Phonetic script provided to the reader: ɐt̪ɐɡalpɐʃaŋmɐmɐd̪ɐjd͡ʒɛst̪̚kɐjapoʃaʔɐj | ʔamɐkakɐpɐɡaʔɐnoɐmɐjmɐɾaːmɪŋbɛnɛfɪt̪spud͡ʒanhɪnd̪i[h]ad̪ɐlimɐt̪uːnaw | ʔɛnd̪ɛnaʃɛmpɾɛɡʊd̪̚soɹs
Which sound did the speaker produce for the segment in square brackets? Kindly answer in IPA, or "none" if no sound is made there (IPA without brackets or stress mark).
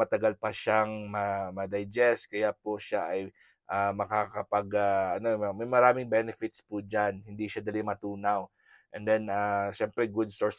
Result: ʃ